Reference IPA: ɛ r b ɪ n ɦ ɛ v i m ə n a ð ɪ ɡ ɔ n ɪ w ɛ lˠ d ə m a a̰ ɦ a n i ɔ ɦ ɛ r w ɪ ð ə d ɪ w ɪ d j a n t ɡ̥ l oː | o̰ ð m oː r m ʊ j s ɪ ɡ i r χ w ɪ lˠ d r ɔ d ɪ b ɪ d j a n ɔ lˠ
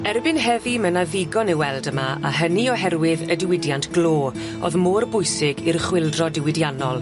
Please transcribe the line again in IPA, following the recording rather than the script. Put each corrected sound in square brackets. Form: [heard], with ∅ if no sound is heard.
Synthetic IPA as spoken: ɛ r b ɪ n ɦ ɛ v i m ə n a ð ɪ ɡ ɔ n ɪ w ɛ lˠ d ə m a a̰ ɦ [ə] n i ɔ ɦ ɛ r w ɪ ð ə d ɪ w ɪ d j a n t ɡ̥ l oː | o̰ ð m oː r [b] ʊ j s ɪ ɡ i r χ w ɪ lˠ d r ɔ d ɪ [w] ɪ d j a n ɔ lˠ